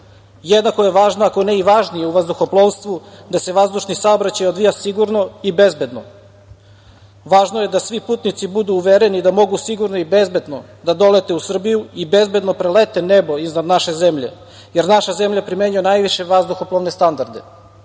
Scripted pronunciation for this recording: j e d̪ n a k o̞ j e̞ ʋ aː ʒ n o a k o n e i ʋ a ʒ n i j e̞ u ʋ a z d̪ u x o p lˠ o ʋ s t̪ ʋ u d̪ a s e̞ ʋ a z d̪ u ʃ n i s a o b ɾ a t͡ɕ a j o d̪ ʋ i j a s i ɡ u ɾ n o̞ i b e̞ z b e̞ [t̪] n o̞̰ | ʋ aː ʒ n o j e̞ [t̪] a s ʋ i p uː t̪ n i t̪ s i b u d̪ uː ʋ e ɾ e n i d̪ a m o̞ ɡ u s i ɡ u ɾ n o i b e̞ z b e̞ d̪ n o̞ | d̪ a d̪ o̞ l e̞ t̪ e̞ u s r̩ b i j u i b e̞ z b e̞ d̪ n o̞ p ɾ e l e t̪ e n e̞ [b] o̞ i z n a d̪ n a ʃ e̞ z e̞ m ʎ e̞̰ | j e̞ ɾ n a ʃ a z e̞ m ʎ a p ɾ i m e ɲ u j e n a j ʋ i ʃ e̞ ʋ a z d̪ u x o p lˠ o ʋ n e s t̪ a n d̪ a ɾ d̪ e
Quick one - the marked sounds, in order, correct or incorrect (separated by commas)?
incorrect, incorrect, correct